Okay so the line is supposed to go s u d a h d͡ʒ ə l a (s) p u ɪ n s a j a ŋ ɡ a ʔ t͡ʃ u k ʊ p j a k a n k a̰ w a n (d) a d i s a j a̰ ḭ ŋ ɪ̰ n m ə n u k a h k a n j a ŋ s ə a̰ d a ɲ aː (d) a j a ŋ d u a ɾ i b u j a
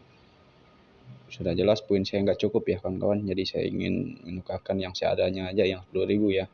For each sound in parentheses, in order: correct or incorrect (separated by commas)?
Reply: correct, incorrect, incorrect